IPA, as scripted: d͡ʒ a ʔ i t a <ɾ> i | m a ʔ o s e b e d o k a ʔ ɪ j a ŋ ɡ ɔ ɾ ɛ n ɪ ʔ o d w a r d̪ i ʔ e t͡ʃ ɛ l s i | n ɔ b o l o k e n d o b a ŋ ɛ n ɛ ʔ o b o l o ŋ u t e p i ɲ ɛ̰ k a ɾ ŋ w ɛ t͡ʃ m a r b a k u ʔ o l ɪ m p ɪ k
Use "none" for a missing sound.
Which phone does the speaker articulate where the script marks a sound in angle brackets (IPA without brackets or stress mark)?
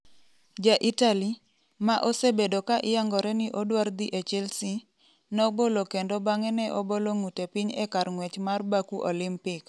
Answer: l